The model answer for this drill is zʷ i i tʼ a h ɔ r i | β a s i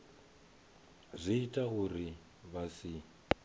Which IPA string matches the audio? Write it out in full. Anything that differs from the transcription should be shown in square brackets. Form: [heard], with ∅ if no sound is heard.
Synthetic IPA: zʷ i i tʼ a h [u] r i | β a s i